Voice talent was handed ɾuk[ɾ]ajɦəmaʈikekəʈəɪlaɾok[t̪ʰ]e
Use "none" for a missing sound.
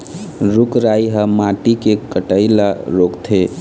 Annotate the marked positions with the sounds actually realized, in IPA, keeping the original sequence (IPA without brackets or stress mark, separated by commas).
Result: ɾ, t̪ʰ